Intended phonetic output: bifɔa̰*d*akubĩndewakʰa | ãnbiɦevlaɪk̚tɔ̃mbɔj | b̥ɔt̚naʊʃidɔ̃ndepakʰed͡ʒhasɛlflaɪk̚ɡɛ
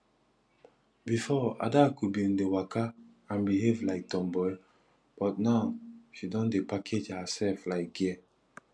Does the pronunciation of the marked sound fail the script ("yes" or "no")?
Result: no